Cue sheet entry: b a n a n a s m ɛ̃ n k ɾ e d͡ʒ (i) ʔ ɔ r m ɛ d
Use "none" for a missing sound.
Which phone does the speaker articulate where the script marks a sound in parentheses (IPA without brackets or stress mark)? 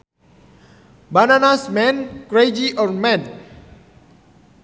i